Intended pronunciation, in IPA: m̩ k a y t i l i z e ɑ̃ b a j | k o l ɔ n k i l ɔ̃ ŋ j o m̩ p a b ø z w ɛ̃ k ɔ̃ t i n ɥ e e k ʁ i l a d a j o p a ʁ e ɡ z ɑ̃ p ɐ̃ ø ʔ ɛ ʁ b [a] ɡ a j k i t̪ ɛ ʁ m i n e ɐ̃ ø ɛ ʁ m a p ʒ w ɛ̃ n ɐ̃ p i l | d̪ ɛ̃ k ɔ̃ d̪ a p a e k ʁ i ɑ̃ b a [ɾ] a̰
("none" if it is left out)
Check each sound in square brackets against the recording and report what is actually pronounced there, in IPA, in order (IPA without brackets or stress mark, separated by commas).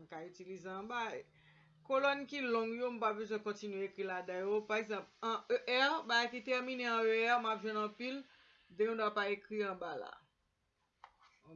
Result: a, l